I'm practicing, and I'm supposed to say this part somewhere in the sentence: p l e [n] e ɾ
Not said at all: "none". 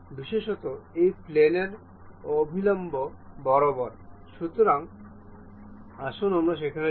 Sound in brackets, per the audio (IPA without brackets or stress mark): n